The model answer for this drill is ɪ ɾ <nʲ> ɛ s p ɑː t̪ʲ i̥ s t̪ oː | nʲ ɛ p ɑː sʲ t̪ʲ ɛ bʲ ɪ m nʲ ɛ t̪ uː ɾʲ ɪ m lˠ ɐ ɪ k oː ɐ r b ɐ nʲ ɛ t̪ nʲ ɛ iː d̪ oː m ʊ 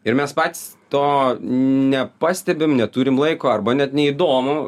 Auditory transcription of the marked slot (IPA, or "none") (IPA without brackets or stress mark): mʲ